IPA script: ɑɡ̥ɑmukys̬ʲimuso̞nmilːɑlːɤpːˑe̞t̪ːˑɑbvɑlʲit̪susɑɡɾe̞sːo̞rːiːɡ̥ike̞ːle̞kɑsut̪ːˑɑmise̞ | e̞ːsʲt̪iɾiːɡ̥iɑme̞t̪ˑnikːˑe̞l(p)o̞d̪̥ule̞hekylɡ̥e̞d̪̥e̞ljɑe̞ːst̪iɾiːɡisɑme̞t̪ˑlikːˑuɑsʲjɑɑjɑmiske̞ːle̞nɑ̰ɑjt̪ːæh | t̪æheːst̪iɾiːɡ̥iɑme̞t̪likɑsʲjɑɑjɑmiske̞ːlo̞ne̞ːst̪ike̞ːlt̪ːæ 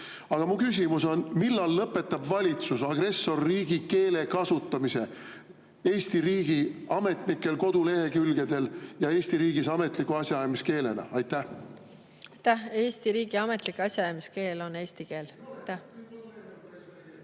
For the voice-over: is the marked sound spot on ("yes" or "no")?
no